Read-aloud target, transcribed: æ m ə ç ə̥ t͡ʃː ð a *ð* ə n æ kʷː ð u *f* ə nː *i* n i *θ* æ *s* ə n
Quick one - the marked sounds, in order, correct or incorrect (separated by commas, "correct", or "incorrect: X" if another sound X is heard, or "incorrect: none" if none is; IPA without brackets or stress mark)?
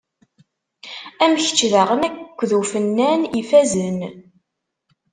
incorrect: ʁ, correct, incorrect: æ, incorrect: f, incorrect: z